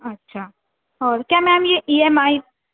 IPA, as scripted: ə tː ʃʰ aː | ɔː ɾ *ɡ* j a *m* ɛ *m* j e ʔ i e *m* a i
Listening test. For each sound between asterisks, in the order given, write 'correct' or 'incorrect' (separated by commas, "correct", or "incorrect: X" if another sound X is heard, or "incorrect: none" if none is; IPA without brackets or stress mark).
incorrect: k, correct, correct, correct